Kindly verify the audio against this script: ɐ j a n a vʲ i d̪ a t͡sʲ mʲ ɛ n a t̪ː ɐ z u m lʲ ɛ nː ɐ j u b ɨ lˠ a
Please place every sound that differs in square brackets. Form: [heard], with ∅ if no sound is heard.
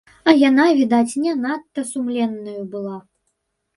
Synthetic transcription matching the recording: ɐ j a n a vʲ i d̪ a t͡sʲ [nʲ] ɛ n a t̪ː ɐ [s] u m lʲ ɛ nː ɐ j u b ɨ lˠ a